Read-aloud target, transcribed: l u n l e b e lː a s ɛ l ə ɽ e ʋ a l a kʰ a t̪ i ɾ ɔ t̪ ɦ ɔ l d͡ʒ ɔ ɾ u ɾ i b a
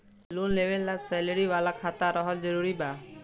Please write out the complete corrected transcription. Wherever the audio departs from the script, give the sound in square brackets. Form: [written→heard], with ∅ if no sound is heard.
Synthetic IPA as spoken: l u n l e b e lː a s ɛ l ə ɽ [e→i] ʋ a l a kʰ a t̪ [i→a] ɾ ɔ [t̪→∅] ɦ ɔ l d͡ʒ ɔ ɾ u ɾ i b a